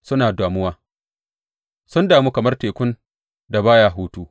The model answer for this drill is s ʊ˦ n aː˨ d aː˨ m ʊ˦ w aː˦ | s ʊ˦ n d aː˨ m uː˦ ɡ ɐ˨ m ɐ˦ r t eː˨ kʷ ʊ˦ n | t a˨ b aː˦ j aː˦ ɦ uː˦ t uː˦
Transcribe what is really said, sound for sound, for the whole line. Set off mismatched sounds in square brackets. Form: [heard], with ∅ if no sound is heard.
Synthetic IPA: s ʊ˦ n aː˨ d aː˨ m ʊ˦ w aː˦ | s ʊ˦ n d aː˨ m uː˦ [k] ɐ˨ m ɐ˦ r t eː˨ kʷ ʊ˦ n | [d] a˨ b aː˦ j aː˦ ɦ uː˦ t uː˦